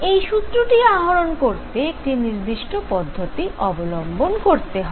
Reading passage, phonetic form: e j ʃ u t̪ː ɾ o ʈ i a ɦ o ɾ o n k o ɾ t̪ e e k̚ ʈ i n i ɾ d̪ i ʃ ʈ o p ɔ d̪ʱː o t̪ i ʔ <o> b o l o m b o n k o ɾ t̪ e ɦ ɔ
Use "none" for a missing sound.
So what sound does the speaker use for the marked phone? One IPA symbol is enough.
ɔ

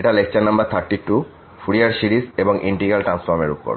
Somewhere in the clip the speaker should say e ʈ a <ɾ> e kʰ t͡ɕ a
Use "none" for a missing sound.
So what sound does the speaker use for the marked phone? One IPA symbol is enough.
l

